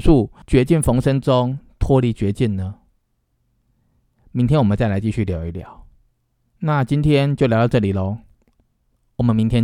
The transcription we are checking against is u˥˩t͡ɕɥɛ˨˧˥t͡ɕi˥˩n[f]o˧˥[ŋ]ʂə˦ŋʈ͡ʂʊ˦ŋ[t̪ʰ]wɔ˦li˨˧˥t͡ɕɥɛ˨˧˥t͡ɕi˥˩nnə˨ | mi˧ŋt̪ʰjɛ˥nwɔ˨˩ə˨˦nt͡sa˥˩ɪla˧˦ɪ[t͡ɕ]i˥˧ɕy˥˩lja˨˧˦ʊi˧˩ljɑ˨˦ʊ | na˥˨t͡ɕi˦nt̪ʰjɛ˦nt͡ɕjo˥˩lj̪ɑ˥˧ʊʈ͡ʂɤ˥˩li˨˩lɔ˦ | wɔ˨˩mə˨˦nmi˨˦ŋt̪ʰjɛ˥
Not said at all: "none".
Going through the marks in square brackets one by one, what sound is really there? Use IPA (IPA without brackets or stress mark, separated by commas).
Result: f, ŋ, t̪ʰ, t͡ɕ